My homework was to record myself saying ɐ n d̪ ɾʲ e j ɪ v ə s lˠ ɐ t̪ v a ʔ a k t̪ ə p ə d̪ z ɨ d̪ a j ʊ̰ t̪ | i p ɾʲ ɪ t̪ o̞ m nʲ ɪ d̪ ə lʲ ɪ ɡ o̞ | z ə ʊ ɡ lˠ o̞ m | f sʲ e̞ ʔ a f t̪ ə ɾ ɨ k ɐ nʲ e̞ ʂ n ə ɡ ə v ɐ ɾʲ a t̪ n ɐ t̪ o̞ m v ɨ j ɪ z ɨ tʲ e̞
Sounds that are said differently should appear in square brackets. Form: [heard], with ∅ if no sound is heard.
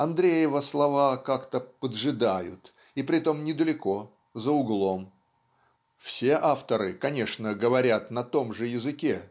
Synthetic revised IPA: ɐ n d̪ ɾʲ e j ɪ v ə s lˠ ɐ [∅] v a [k] a k t̪ ə p ə d̪ [ʐ] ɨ d̪ a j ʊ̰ t̪ | i p ɾʲ ɪ t̪ o̞ m nʲ ɪ d̪ ə lʲ ɪ [k] o̞ | z ə ʊ ɡ lˠ o̞ m | f sʲ e̞ ʔ a f t̪ ə ɾ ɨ k ɐ nʲ e̞ ʂ n ə ɡ ə v ɐ ɾʲ a t̪ n ɐ t̪ o̞ m [ʐ] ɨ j ɪ z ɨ [kʲ] e̞

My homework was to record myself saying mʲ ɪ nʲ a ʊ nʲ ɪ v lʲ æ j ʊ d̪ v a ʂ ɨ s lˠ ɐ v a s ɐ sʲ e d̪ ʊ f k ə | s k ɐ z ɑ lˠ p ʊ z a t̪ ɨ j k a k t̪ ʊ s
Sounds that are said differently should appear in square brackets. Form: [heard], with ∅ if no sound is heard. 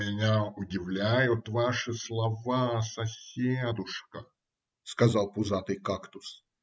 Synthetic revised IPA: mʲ ɪ nʲ a ʊ [dʲ] ɪ v lʲ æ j ʊ [t̪] v a ʂ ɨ s lˠ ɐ v a s ɐ sʲ e d̪ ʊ [ʂ] k ə | s k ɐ z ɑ lˠ p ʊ z a t̪ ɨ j k a k t̪ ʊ s

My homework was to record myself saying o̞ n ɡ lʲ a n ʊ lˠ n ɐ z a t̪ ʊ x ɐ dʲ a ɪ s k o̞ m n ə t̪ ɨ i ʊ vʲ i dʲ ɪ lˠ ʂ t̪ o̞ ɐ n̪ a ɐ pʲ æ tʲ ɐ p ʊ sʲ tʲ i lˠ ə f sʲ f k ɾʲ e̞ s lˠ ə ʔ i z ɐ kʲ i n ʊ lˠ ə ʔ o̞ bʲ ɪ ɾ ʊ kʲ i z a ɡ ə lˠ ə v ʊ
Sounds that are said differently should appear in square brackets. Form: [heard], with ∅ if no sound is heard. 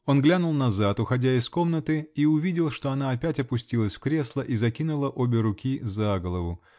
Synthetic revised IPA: o̞ n ɡ lʲ a n ʊ lˠ n ɐ z a t̪ ʊ x ɐ dʲ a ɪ s k o̞ m n ə t̪ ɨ i ʊ vʲ i dʲ ɪ lˠ ʂ t̪ o̞ ɐ n̪ a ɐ pʲ æ tʲ ɐ p ʊ sʲ tʲ i lˠ ə [∅] sʲ f k ɾʲ e̞ s lˠ ə ʔ i z ɐ kʲ i n ʊ lˠ ə ʔ o̞ bʲ ɪ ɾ ʊ kʲ i z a ɡ ə lˠ ə v ʊ

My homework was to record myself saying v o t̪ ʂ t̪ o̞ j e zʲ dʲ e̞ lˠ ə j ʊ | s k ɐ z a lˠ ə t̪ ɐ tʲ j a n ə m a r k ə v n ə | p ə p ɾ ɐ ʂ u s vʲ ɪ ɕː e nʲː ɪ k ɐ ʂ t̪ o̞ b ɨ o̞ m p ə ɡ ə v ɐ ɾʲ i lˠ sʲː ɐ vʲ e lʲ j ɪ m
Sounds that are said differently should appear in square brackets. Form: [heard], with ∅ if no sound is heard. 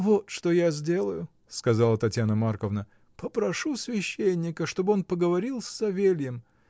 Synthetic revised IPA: v o t̪ ʂ t̪ o̞ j [a] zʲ dʲ e̞ lˠ ə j ʊ | s k ɐ z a lˠ ə t̪ ɐ tʲ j a n ə m a r k ə v n ə | p ə p ɾ ɐ ʂ u s vʲ ɪ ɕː e nʲː ɪ k [ə] ʂ t̪ o̞ b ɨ o̞ [n] p ə ɡ ə v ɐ ɾʲ i lˠ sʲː ɐ vʲ e lʲ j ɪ m

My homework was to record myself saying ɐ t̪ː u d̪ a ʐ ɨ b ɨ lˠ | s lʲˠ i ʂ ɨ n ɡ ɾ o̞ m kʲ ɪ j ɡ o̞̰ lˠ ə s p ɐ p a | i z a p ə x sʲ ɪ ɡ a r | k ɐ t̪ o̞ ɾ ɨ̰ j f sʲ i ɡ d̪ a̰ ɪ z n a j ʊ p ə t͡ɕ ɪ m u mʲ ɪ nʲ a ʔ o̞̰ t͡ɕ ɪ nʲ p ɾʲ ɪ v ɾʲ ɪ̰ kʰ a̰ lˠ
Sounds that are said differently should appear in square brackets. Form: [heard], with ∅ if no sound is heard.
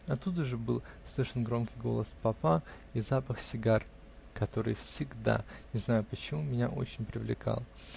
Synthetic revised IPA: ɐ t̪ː u d̪ [ə] ʐ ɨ b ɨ lˠ | s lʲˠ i ʂ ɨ n ɡ ɾ o̞ m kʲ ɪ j ɡ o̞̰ lˠ ə s p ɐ p a | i z a p ə x sʲ ɪ ɡ a r | k ɐ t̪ o̞ ɾ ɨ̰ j f sʲ [ɪ] ɡ d̪ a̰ ɪ z n a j ʊ p ə t͡ɕ ɪ m u mʲ ɪ nʲ a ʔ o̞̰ t͡ɕ ɪ nʲ p ɾʲ ɪ v [lʲ] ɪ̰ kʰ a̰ lˠ

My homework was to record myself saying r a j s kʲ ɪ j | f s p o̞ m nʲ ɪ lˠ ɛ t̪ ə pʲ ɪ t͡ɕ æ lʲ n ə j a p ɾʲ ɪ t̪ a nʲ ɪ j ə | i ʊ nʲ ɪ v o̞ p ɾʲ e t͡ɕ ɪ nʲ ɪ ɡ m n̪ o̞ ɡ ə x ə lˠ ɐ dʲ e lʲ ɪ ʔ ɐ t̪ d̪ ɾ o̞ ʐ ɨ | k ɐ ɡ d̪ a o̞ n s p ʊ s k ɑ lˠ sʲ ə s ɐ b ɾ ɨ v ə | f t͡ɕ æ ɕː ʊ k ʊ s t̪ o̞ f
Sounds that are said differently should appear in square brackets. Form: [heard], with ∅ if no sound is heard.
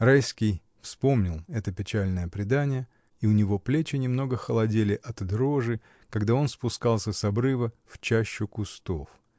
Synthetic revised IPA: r a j s kʲ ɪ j | f s p o̞ m nʲ ɪ lˠ ɛ t̪ ə pʲ ɪ t͡ɕ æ lʲ n ə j [ə] p ɾʲ ɪ [d̪] a nʲ ɪ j ə | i ʊ nʲ ɪ v o̞ p [lʲ] e t͡ɕ ɪ nʲ ɪ [∅] m n̪ o̞ ɡ ə x ə lˠ ɐ dʲ e lʲ ɪ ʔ ɐ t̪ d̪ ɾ o̞ ʐ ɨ | k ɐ ɡ d̪ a o̞ n s p ʊ s k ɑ lˠ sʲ ə s ɐ b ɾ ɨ v ə | f t͡ɕ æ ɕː ʊ k ʊ s t̪ o̞ f

